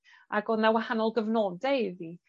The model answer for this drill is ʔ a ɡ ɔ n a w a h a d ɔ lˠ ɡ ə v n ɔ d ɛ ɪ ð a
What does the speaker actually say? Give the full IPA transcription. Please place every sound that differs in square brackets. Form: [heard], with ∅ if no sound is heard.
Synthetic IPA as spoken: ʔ a ɡ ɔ n a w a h a [n] ɔ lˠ ɡ ə v n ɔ d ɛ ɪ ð [i]